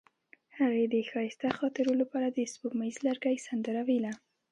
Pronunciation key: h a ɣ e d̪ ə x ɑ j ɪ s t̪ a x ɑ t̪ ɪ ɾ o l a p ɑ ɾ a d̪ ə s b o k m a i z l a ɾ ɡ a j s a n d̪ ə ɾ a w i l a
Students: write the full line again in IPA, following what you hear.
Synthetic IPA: h a ɣ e d̪ ə x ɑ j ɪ s t̪ a x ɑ t̪ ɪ ɾ o l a p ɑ ɾ a d̪ ə s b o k m a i z l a ɾ ɡ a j s a n d̪ ə ɾ a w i l a